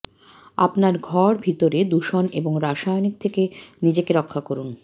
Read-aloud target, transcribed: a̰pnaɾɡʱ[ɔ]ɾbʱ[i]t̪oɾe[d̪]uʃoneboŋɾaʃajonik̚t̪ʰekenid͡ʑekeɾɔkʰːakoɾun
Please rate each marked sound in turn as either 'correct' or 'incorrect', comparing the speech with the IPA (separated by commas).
correct, correct, correct